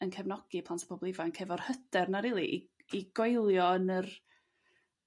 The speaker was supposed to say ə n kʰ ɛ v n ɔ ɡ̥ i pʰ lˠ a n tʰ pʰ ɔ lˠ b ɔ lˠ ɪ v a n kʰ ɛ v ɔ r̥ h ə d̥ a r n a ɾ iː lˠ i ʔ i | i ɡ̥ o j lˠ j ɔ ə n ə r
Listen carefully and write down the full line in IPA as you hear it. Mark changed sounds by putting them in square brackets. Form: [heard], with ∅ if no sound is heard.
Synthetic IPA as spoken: ə n kʰ ɛ v n ɔ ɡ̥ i pʰ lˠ a n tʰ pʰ ɔ [∅] b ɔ lˠ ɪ v a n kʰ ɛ v ɔ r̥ h ə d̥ [ɛ] r n a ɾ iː lˠ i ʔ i | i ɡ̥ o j lˠ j ɔ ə n ə r